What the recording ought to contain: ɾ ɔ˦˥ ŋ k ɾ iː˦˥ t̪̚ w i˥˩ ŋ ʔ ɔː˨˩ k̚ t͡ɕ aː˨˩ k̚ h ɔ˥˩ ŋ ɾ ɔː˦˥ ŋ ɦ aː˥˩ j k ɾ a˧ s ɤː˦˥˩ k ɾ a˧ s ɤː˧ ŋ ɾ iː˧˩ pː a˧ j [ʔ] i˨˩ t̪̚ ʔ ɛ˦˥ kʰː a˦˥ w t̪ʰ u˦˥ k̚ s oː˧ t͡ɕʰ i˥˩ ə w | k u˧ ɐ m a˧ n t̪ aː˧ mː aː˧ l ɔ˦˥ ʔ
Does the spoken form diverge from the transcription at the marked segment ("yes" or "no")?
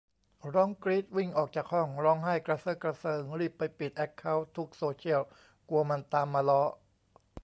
yes